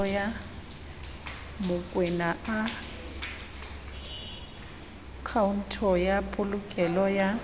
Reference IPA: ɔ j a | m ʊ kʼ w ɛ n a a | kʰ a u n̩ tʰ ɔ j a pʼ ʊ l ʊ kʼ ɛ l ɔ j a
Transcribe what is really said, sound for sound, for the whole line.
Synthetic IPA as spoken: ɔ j a | m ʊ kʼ w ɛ n a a | kʰ a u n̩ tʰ ɔ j a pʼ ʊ l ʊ kʼ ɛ l ɔ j a